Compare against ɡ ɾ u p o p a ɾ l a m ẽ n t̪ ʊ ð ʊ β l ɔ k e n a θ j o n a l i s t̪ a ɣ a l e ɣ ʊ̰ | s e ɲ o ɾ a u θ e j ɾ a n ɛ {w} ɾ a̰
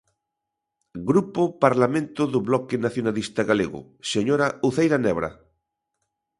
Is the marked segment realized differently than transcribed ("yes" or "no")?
yes